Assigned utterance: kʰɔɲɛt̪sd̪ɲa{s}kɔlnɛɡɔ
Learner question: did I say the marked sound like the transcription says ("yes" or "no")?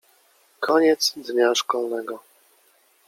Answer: no